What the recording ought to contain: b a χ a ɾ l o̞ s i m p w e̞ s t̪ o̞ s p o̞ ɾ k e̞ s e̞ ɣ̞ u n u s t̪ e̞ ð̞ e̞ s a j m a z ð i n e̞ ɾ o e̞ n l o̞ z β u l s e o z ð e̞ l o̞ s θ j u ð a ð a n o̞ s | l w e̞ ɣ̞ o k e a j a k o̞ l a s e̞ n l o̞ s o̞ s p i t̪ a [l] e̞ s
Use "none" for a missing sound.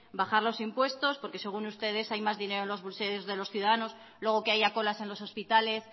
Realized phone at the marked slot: l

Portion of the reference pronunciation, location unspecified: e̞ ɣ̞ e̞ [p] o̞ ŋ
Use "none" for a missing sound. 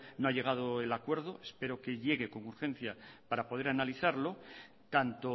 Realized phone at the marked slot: k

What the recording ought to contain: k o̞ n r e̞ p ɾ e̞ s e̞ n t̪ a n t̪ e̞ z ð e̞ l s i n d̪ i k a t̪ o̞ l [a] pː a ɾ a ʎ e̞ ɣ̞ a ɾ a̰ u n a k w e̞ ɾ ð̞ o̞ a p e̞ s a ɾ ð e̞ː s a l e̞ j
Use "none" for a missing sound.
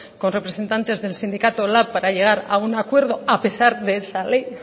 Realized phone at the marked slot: a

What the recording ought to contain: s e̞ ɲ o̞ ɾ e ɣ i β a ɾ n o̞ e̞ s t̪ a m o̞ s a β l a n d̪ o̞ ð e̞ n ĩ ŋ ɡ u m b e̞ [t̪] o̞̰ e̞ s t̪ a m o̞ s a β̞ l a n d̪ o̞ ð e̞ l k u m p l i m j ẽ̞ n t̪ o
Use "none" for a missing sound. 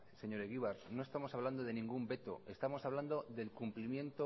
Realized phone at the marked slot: t̪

